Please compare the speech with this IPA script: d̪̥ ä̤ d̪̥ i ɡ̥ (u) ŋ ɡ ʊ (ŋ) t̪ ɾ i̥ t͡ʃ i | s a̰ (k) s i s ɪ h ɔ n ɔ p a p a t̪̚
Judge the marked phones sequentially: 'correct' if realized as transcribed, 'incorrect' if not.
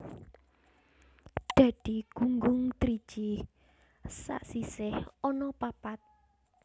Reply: correct, correct, incorrect: ʔ

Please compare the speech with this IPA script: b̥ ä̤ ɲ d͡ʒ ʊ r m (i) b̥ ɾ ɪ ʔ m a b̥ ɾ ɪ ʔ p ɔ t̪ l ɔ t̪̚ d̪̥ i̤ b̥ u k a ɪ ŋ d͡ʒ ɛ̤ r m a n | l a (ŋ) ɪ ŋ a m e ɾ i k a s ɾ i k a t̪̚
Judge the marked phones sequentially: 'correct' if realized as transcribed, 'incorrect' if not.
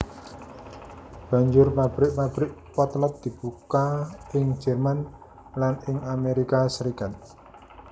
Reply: incorrect: a, incorrect: n

